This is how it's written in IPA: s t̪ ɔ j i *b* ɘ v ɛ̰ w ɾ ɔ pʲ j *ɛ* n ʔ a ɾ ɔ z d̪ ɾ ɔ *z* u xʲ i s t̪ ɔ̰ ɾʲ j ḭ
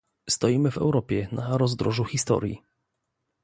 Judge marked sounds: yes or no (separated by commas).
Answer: no, yes, no